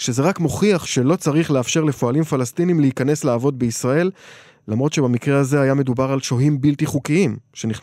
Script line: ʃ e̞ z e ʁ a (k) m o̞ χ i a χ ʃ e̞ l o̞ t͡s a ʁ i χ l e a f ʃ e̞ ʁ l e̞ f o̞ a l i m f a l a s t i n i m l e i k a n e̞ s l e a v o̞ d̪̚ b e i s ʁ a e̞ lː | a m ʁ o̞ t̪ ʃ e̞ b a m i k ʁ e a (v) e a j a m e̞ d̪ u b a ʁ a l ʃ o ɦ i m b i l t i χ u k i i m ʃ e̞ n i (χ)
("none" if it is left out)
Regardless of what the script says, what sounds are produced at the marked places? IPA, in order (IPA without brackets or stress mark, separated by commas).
k, z, χ